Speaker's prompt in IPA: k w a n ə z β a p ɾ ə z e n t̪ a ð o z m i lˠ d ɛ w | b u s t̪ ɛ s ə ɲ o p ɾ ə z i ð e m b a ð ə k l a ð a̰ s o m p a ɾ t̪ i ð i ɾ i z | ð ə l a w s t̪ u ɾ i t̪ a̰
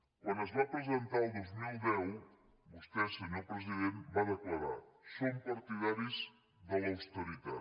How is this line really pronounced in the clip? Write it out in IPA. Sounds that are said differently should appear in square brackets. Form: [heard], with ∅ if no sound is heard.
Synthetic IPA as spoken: k w a n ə z β a p ɾ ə z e n t̪ a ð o z m i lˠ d ɛ w | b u s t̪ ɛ s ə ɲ o p ɾ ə z i ð e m b a ð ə k l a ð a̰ s o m p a ɾ t̪ i ð [a] ɾ i z | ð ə l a w s t̪ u ɾ i t̪ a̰

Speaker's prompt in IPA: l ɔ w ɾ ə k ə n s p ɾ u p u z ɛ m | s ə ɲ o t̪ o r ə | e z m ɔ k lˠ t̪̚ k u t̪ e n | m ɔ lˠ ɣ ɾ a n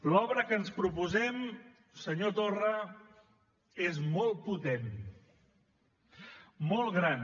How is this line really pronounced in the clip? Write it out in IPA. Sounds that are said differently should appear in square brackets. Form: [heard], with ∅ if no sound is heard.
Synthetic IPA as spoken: l ɔ [β] ɾ ə k ə n s p ɾ u p u z ɛ m | s ə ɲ o t̪ o r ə | e z m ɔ [∅] lˠ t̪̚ [p] u t̪ e n | m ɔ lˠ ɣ ɾ a n

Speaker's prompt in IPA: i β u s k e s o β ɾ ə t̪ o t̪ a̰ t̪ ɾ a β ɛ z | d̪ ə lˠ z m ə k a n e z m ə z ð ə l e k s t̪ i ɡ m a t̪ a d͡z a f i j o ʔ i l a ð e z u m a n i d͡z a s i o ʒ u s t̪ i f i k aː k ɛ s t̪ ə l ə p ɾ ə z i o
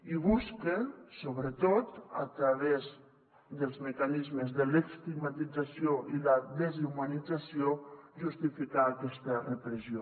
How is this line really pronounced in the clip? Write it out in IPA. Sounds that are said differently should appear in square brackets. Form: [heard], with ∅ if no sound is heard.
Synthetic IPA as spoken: i β u s k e s o β ɾ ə t̪ o t̪ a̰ t̪ ɾ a β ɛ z | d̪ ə lˠ z m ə k a n [i] z m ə z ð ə l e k s t̪ i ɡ m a t̪ [i] d͡z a [s] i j o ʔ i l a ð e z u m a n i d͡z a s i o ʒ u s t̪ i f i k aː k ɛ s t̪ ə [r] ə p ɾ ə z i o

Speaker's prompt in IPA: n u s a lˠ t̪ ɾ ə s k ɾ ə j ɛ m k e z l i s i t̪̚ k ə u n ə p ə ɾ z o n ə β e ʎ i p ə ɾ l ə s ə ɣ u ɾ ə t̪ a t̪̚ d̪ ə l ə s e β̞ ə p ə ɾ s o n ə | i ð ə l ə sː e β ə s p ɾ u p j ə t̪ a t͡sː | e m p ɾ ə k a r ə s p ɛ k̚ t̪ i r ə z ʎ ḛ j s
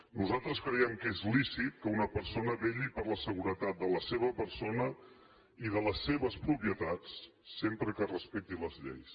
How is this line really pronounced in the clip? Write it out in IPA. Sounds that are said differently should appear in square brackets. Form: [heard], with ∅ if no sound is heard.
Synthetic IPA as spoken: n u [z] a lˠ t̪ ɾ ə s k ɾ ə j ɛ m k e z l i s i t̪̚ k ə u n ə p ə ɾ [s] o n ə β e ʎ i p ə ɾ l ə s ə ɣ u ɾ ə t̪ a t̪̚ d̪ ə l ə s e β̞ ə p ə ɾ s o n ə | i ð ə l ə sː e β ə s p ɾ u p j ə t̪ a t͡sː | e m p ɾ ə k [ə] r ə s p ɛ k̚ t̪ i [l] ə z ʎ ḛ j s

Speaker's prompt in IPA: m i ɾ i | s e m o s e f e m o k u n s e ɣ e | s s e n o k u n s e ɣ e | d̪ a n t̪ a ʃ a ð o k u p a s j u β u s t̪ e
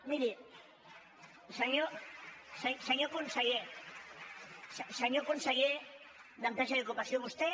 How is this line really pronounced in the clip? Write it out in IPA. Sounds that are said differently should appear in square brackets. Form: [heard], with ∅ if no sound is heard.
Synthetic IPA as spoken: m i ɾ i | s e [ɲ] o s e [s] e [ɲ] o k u n s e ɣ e | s s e [ɲ] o k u n s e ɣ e | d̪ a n t̪ a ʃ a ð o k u p a s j [o] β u s t̪ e

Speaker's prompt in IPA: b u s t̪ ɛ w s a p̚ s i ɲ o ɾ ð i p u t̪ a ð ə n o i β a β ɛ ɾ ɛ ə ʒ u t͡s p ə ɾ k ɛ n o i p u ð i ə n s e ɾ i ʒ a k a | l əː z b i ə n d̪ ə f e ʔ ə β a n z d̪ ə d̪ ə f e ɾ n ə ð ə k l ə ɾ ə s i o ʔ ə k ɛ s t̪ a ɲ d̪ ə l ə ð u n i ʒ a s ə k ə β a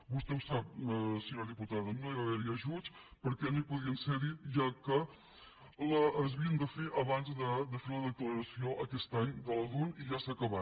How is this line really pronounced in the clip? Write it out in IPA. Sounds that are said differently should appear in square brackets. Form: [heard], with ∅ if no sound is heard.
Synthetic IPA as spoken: b u s t̪ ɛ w s a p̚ s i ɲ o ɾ ð i p u t̪ a ð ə n o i β a β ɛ ɾ [i] ə ʒ u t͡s p ə ɾ k ɛ n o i p u ð i ə n s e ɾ i ʒ a k [ə] | l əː z [β] i ə n d̪ ə f e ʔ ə β a n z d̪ ə d̪ ə f e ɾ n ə ð ə k l ə ɾ ə s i o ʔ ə k ɛ s t̪ a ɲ d̪ ə l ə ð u n i ʒ a s ə k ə β a

